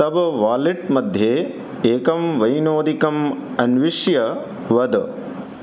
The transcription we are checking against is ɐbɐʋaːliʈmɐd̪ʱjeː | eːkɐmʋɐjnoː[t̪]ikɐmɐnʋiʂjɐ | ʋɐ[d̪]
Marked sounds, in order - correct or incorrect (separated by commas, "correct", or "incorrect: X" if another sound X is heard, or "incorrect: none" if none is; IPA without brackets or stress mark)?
incorrect: d̪, correct